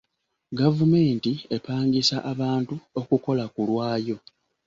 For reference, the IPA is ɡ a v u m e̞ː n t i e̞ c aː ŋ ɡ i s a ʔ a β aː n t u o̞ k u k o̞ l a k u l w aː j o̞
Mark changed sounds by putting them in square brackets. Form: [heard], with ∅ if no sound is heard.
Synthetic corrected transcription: ɡ a v u m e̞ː n t i e̞ [p] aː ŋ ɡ i s a ʔ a β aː n t u o̞ k u k o̞ l a k u l w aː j o̞